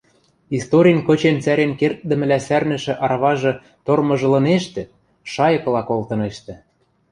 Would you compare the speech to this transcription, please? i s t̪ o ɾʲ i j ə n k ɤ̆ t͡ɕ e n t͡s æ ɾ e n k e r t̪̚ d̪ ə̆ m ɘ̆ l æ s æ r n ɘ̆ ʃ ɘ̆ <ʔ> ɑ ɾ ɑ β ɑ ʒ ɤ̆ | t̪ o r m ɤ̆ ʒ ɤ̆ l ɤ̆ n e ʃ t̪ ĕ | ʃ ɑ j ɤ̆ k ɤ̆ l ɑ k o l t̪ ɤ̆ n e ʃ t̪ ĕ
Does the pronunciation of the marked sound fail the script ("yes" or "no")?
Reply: no